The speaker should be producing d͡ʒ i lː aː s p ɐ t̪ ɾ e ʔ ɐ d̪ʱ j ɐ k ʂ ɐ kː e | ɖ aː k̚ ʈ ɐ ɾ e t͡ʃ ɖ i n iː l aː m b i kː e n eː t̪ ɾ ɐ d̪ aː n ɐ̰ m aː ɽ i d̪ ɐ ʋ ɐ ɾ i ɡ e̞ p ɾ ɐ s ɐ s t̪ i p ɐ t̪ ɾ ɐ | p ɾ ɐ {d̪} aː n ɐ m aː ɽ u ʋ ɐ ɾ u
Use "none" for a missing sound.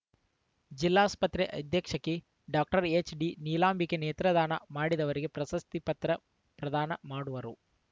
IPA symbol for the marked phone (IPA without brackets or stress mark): d̪